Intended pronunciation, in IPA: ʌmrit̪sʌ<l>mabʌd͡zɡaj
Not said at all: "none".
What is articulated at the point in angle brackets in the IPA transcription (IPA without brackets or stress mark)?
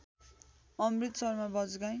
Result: r